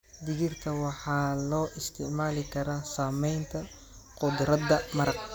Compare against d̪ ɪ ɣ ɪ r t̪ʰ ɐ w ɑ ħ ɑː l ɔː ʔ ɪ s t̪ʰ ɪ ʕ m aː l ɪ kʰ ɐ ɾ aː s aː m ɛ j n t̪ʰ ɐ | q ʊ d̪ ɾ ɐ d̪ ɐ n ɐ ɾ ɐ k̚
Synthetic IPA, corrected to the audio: d̪ ɪ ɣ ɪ r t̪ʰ ɐ w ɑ ħ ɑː l ɔː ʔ ɪ s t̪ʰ ɪ ʕ m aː l ɪ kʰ ɐ ɾ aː s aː m ɛ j n t̪ʰ ɐ | q ʊ d̪ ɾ ɐ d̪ ɐ m ɐ ɾ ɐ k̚